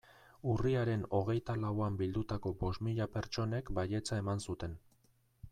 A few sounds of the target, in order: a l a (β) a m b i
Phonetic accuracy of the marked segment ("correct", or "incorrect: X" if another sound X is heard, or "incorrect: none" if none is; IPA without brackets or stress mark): incorrect: w